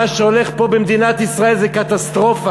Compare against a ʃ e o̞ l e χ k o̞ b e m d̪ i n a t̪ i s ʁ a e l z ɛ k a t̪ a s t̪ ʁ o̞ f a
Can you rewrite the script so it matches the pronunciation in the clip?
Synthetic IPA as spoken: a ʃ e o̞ l e χ p o̞ b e m d̪ i n a t̪ i s ʁ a e l z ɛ k a t̪ a s t̪ ʁ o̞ f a